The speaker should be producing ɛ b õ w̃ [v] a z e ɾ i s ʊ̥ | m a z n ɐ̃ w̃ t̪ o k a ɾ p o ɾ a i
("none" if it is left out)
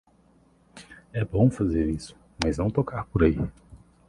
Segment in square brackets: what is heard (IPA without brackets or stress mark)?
f